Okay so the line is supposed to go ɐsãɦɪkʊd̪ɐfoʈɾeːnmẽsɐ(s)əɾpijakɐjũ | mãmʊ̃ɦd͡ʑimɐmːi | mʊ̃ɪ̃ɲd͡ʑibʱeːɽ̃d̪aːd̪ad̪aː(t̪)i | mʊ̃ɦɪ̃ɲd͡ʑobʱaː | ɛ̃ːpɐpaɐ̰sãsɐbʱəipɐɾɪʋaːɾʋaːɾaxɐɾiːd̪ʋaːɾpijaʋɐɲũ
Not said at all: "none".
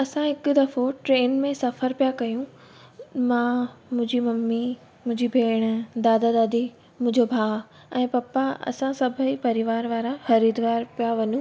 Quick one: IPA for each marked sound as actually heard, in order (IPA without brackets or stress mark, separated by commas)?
f, d̪